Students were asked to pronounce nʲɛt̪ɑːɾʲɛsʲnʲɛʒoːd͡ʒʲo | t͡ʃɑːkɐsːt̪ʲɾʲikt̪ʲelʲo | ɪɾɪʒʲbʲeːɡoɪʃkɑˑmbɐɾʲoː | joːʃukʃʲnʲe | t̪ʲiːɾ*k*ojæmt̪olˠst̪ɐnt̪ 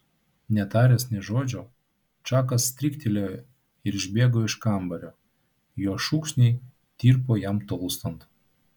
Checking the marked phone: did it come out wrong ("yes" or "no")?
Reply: yes